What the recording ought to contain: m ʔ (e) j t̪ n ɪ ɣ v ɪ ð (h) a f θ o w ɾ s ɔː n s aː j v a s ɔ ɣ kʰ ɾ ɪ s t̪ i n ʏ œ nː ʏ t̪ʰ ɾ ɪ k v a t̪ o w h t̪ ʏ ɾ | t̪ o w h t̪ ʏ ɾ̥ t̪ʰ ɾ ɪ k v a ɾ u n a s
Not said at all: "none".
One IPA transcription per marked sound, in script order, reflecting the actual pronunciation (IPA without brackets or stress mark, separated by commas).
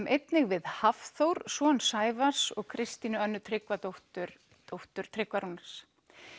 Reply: e, h